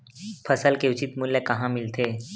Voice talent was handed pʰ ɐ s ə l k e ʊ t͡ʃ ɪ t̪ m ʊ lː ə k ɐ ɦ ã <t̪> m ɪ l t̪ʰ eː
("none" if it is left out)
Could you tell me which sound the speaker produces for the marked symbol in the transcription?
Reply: none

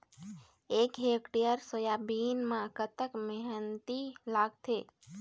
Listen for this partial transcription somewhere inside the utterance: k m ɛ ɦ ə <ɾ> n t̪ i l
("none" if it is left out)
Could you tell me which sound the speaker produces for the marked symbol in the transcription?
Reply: none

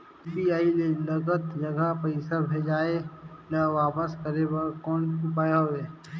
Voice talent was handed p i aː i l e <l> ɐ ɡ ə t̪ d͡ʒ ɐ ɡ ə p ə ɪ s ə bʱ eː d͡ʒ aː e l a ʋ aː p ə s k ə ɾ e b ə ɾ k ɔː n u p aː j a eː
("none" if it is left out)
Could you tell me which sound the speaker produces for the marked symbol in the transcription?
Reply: l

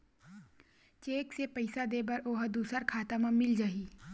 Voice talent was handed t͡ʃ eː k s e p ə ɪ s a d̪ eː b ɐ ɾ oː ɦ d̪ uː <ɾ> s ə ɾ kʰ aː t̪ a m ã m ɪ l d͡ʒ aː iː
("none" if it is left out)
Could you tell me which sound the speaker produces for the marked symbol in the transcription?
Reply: none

